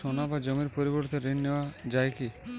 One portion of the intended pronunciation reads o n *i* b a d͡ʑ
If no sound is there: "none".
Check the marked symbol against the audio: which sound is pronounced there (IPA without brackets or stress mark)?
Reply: a